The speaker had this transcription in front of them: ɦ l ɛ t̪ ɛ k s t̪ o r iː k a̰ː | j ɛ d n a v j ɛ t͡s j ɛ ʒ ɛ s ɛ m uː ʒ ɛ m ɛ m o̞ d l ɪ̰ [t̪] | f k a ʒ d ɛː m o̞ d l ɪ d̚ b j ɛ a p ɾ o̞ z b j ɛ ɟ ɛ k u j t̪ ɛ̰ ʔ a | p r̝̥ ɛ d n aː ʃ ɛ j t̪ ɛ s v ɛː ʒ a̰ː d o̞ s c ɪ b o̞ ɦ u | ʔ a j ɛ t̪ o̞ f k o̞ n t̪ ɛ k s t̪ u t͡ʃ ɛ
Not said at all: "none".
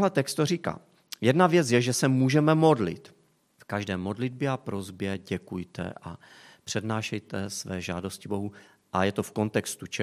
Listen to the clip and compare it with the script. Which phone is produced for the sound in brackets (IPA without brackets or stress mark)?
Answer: t̪